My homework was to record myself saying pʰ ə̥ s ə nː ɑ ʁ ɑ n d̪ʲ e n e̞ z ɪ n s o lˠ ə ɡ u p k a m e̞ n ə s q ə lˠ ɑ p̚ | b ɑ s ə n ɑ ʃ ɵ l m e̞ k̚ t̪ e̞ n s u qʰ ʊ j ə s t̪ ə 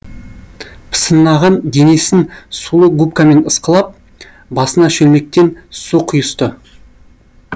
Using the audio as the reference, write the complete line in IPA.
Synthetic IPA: pʰ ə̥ s ə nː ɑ ʁ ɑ n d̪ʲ e n e̞ s ɪ n s u lˠ ə ɡ u p k a m e̞ n ə s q ə lˠ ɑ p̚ | b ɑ s ə n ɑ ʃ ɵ l m e̞ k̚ t̪ e̞ n s u qʰ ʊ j ə s t̪ ə